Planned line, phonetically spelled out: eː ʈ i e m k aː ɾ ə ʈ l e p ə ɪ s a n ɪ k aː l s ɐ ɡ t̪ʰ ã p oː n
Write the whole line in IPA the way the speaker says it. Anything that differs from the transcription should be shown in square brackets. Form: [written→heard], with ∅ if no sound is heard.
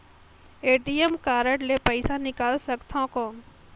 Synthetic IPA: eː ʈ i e m k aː ɾ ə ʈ l e p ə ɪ s a n ɪ k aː l s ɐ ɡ t̪ʰ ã [p→k] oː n